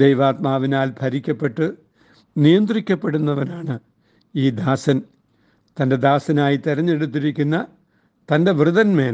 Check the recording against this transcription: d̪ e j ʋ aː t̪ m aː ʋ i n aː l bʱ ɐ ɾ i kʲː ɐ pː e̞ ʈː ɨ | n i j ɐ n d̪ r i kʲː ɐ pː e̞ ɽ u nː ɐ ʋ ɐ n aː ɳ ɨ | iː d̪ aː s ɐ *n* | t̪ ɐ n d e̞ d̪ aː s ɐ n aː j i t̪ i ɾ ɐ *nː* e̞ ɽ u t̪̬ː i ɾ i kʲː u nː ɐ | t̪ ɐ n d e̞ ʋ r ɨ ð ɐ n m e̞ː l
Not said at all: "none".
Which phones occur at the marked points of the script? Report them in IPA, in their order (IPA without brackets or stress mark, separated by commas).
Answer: n, ɲː